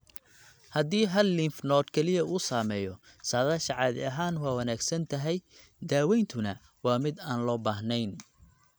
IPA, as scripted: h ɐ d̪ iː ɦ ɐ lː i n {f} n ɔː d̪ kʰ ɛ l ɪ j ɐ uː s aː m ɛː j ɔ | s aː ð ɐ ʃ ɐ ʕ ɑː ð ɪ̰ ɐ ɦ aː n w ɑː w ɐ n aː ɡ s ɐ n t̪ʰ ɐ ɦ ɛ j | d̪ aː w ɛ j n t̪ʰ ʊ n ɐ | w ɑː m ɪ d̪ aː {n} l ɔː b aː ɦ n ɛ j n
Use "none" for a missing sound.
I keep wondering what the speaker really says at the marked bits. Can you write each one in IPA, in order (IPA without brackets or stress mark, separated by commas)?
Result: f, n